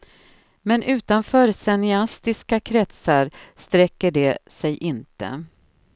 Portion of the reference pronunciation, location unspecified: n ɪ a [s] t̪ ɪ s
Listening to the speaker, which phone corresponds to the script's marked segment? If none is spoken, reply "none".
s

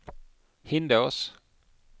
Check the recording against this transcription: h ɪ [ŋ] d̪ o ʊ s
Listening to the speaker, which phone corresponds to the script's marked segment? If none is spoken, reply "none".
n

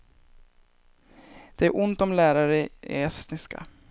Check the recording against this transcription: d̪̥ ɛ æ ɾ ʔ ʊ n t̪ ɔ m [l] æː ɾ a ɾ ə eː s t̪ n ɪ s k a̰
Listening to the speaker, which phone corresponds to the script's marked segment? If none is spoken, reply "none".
l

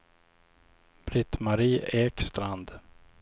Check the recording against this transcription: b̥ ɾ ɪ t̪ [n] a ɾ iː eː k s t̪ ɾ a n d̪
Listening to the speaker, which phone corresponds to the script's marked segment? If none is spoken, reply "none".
m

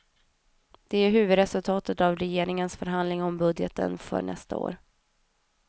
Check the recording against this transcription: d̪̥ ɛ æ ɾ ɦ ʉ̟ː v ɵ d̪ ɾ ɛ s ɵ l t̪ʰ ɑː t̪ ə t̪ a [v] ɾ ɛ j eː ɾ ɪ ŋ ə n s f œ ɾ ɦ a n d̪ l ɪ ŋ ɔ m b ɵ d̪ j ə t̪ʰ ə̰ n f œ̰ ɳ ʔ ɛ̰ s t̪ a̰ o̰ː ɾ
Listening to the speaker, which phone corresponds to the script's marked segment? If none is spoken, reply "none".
v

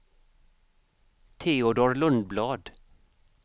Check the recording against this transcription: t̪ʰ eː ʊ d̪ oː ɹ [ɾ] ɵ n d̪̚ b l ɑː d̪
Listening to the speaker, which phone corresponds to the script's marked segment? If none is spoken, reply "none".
l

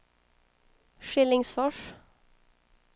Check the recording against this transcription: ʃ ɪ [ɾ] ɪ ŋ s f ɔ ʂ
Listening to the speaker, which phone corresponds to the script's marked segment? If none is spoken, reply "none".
l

